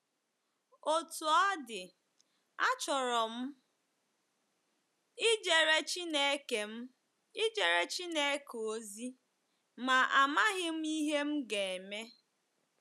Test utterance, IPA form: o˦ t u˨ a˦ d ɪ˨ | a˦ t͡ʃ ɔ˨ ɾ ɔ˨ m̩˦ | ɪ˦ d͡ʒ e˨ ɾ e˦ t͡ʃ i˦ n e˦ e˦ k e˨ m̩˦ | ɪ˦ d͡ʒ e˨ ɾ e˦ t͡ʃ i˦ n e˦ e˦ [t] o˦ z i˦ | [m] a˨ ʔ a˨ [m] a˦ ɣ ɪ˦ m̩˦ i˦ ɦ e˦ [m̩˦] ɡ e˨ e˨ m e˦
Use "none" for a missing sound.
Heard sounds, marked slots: k, m, m, m̩˦

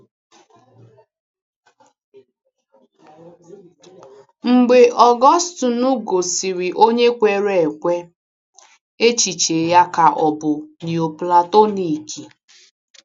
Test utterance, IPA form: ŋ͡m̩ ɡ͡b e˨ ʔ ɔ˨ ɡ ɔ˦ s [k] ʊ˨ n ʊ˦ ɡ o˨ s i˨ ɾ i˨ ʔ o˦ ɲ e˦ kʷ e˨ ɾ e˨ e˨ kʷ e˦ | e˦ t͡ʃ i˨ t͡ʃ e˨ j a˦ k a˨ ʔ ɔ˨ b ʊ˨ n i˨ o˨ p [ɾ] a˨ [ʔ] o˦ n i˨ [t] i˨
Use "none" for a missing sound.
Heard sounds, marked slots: t, l, t, k

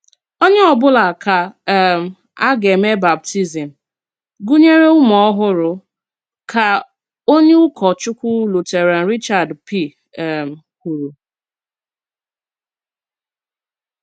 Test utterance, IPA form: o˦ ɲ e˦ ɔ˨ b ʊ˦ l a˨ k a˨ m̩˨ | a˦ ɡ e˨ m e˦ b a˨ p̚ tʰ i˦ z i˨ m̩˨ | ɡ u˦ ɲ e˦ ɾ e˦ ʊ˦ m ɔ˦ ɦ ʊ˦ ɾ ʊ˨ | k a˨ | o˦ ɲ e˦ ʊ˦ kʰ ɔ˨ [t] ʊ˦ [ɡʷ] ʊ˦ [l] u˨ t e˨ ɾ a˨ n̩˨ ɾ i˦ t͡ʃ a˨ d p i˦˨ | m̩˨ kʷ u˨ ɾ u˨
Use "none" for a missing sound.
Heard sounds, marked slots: t͡ʃ, kʷ, l

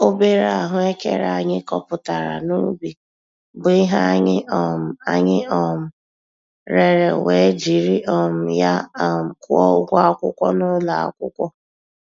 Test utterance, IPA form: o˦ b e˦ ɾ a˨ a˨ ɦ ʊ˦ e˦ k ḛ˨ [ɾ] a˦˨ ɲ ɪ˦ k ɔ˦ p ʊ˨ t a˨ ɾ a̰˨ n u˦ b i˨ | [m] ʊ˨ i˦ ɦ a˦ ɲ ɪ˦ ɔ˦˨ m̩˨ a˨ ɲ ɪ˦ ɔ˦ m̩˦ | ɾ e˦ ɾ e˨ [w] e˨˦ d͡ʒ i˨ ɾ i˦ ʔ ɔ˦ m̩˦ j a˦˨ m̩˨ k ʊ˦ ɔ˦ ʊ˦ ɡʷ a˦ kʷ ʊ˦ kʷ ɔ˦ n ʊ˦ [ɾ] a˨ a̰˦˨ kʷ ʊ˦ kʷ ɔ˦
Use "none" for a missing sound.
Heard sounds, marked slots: ɾ, b, w, l

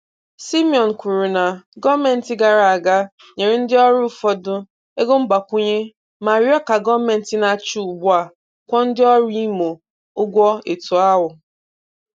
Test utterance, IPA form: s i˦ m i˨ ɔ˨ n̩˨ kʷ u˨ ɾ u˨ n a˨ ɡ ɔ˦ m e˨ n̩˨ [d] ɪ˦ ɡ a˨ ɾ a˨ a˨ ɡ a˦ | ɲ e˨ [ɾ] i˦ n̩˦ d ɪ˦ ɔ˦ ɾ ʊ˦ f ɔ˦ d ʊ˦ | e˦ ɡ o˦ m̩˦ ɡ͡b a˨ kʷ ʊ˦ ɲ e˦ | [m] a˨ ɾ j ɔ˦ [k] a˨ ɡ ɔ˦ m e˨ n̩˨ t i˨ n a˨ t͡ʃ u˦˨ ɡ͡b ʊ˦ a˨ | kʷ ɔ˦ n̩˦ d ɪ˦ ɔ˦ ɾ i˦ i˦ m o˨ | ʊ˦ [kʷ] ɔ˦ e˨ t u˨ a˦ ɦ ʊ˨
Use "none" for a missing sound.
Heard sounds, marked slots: t, ɾ, m, k, ɡʷ

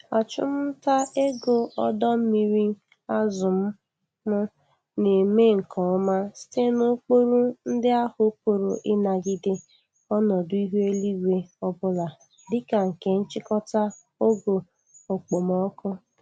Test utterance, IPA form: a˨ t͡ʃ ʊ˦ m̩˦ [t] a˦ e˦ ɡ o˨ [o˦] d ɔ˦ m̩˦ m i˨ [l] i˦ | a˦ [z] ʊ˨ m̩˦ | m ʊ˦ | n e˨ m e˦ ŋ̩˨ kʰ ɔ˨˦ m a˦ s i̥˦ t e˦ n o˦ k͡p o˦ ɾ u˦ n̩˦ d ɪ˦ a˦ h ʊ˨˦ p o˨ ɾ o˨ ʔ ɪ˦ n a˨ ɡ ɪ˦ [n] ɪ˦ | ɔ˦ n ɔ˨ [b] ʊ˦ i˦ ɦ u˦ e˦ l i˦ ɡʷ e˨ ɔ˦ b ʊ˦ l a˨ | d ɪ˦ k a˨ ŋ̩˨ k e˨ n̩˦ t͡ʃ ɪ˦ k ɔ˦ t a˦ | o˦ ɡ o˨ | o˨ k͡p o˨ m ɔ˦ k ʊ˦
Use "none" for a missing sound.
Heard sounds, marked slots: t, ɔ˦, ɾ, z, d, d

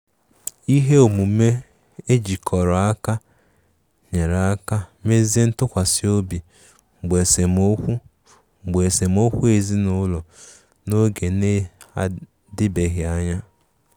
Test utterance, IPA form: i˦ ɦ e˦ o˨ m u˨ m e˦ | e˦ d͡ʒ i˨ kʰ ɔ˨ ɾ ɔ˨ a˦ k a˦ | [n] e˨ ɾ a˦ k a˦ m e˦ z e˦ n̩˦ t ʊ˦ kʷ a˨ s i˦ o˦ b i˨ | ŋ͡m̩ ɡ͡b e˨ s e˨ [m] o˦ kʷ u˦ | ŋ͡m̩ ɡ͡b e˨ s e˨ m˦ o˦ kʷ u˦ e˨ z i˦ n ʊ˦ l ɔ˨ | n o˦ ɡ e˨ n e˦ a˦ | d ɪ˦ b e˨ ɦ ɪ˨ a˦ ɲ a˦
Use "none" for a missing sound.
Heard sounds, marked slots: ɲ, m

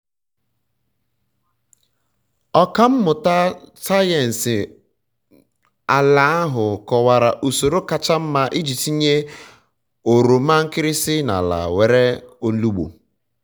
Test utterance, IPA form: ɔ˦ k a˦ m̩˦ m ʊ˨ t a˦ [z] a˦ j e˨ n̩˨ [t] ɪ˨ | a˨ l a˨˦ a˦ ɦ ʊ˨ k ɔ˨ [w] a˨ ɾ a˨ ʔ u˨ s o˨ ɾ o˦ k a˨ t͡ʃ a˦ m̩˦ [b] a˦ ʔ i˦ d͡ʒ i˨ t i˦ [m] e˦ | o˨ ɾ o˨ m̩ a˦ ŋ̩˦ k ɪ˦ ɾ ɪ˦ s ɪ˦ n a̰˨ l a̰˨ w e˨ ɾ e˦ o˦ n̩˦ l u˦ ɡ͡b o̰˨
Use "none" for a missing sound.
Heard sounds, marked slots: s, s, w, m, ɲ

